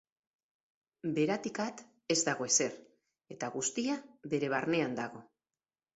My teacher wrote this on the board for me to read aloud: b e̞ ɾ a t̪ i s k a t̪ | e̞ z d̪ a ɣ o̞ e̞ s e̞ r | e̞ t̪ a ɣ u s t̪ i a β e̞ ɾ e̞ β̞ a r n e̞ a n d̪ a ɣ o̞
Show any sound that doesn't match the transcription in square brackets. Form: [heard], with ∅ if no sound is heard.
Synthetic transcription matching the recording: b e̞ ɾ a t̪ i [∅] k a t̪ | e̞ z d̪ a ɣ o̞ e̞ s e̞ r | e̞ t̪ a ɣ u s t̪ i a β e̞ ɾ e̞ β̞ a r n e̞ a n d̪ a ɣ o̞